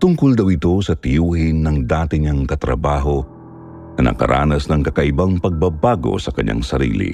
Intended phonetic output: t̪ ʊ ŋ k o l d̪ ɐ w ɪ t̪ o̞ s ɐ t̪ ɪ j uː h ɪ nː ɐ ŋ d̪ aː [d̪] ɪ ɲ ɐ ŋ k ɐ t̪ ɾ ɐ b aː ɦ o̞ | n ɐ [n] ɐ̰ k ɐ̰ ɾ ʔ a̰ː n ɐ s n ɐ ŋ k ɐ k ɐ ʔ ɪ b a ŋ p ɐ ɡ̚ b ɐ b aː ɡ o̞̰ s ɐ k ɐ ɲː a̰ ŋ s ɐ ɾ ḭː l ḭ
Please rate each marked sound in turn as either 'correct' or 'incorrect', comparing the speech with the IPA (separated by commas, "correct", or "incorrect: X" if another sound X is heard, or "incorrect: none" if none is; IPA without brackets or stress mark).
incorrect: t̪, correct